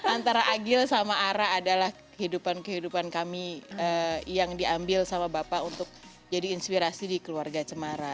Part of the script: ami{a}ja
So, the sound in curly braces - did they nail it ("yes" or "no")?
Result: no